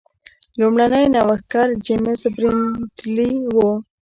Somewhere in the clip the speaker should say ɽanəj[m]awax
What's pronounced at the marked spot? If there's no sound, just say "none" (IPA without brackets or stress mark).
n